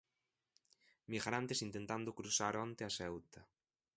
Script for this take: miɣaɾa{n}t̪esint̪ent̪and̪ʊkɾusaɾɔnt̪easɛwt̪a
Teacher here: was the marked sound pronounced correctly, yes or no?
yes